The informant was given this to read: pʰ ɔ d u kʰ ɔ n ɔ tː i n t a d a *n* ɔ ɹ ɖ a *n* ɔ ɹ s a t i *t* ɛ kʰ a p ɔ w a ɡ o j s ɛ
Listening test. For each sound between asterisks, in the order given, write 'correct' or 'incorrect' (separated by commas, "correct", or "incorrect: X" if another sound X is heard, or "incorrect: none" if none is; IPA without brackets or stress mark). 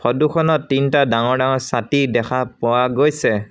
incorrect: ŋ, incorrect: ŋ, incorrect: d